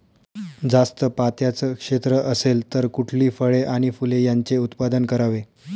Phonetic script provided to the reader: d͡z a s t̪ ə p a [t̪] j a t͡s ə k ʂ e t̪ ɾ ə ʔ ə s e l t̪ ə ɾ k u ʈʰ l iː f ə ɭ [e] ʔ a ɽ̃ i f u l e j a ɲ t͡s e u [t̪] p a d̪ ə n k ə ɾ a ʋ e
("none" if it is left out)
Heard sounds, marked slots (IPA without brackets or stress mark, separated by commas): t̪, e, t̪